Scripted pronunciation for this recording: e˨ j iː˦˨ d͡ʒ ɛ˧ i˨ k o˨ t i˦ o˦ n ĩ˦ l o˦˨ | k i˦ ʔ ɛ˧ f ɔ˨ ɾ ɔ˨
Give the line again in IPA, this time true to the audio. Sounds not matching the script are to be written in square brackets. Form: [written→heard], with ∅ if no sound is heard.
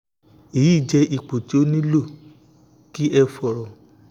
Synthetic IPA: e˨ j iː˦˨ d͡ʒ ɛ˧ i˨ [k→k͡p] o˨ t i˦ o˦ n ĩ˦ l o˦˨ | k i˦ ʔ ɛ˧ f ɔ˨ ɾ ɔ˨